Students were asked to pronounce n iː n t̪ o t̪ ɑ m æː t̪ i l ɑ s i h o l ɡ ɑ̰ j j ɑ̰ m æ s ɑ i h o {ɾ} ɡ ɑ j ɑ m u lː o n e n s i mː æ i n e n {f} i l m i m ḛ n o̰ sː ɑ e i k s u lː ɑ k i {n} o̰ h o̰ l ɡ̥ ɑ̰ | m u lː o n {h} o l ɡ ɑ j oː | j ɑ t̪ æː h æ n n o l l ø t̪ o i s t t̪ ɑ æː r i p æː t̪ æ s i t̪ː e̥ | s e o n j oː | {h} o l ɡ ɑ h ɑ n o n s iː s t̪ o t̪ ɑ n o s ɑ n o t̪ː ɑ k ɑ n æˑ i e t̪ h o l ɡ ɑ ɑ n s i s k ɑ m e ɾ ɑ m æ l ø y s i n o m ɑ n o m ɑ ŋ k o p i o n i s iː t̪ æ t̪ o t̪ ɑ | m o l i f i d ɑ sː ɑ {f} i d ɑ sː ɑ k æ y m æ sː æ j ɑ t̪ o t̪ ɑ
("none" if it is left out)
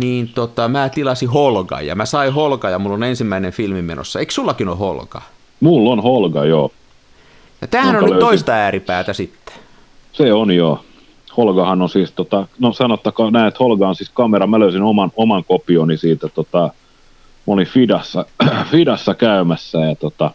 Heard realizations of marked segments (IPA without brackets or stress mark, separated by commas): l, f, n, h, h, f